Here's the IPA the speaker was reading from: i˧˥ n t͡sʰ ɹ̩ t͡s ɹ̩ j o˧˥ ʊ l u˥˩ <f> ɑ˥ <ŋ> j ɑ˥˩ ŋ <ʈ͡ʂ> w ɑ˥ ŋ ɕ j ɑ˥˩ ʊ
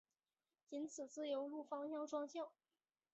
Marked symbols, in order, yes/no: yes, yes, yes

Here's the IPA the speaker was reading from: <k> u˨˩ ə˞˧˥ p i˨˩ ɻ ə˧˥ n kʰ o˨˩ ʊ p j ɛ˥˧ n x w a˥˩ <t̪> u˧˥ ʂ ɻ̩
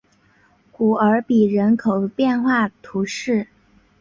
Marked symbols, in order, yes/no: yes, no

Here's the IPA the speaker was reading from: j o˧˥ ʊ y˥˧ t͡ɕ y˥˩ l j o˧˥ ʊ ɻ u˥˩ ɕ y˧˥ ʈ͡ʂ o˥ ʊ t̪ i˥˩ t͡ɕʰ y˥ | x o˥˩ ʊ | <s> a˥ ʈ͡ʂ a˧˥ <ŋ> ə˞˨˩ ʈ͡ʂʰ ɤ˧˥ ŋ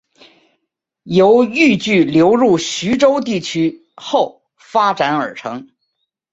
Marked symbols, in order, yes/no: no, no

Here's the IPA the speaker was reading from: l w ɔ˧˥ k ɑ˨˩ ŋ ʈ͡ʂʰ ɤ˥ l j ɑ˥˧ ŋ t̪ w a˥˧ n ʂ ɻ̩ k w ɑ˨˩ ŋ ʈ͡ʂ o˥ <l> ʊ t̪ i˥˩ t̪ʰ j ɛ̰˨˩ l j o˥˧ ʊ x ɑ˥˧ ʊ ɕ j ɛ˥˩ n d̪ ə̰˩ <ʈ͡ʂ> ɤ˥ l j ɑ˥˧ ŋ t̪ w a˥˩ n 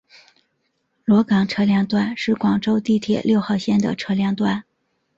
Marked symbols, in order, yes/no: no, no

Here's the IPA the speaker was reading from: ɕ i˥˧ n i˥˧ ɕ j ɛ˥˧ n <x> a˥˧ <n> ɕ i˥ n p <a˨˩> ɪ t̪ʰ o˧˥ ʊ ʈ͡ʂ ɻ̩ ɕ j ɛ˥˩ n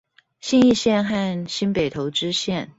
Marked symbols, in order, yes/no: yes, yes, no

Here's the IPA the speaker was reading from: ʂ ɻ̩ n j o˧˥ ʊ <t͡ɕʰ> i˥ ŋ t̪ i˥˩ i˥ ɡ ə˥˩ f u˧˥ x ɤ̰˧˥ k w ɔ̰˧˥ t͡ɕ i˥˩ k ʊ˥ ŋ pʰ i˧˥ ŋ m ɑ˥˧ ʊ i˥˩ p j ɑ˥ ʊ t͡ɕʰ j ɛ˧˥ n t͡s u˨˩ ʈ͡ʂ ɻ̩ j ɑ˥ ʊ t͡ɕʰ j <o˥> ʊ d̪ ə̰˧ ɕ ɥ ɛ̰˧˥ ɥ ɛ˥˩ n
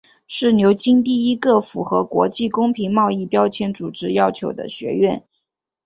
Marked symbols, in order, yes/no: no, no

